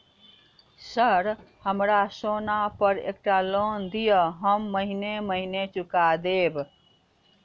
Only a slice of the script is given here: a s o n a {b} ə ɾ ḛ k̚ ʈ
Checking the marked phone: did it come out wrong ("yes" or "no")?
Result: yes